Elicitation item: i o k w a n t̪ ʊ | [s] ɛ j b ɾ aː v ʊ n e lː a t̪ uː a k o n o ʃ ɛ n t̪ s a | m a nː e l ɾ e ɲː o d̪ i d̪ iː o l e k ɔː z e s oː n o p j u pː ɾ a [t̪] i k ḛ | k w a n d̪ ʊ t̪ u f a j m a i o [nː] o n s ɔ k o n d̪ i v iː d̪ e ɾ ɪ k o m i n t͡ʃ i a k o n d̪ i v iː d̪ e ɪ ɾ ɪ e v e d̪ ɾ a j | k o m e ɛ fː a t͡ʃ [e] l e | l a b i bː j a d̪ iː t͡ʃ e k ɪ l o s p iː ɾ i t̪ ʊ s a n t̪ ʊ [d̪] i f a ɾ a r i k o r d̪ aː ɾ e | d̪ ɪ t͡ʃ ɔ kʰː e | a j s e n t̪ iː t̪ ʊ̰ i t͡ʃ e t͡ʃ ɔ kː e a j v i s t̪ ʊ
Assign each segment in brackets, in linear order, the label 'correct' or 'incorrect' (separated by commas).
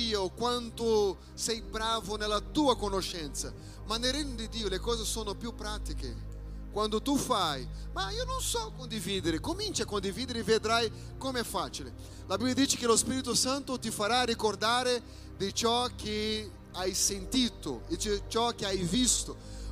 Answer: correct, correct, incorrect, incorrect, incorrect